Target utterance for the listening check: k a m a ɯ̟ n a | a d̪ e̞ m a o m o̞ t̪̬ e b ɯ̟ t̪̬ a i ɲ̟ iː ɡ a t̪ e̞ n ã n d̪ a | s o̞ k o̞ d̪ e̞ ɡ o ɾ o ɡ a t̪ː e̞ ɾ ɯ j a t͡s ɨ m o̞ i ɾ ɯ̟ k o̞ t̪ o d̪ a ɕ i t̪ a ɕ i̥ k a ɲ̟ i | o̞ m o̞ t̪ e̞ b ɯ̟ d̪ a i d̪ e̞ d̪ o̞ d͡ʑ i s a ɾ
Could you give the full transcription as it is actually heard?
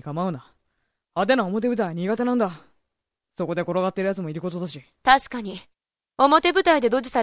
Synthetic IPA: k a m a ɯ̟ n a | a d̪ e̞ n a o m o̞ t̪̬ e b ɯ̟ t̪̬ a i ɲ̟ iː ɡ a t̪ e̞ n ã n d̪ a | s o̞ k o̞ d̪ e̞ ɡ o ɾ o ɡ a t̪ː e̞ ɾ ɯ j a t͡s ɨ m o̞ i ɾ ɯ̟ k o̞ t̪ o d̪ a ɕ i t̪ a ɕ i̥ k a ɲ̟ i | o̞ m o̞ t̪ e̞ b ɯ̟ t̪ a i d̪ e̞ d̪ o̞ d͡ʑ i s a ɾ